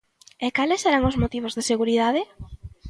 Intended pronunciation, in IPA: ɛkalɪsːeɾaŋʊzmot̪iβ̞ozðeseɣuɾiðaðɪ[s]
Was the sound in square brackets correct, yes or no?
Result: no